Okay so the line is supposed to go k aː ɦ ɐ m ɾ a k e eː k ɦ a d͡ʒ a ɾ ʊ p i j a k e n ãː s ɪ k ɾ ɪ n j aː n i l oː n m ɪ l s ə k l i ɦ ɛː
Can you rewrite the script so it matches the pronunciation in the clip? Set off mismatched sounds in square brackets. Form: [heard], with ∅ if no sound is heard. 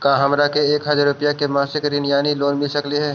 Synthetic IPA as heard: k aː ɦ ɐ m ɾ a k e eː k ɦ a d͡ʒ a ɾ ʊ p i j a k e [m] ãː s ɪ k ɾ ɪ n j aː n i l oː n m ɪ l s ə k l i ɦ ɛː